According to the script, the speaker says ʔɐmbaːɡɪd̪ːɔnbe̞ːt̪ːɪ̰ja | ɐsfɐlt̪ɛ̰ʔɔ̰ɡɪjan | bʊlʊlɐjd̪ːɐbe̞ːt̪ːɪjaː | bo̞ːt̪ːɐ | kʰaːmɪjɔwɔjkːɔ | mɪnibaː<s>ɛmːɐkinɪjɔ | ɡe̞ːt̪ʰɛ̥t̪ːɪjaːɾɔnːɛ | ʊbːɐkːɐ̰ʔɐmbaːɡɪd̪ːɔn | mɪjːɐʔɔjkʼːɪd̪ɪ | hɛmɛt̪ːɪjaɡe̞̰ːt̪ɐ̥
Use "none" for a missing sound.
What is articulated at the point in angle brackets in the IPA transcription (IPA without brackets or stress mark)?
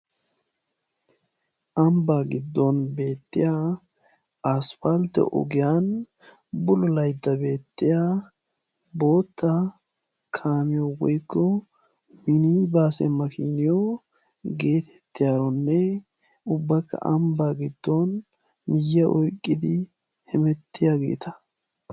s